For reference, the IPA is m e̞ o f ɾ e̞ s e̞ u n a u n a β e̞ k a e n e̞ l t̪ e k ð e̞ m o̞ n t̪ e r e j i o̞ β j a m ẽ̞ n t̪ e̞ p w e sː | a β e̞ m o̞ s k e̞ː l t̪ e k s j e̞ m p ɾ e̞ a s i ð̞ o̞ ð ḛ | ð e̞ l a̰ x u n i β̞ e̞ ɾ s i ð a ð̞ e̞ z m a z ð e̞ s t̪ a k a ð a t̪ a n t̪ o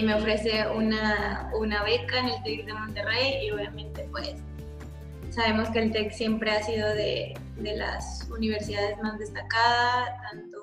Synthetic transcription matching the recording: m e̞ o f ɾ e̞ s e̞ u n a u n a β e̞ k a e n e̞ l t̪ e k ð e̞ m o̞ n t̪ e r e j i o̞ β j a m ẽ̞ n t̪ e̞ p w e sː | a β e̞ m o̞ s k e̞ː l t̪ e k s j e̞ m p ɾ e̞ a s i ð̞ o̞ ð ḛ | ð e̞ l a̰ s u n i β̞ e̞ ɾ s i ð a ð̞ e̞ z m a z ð e̞ s t̪ a k a ð a t̪ a n t̪ o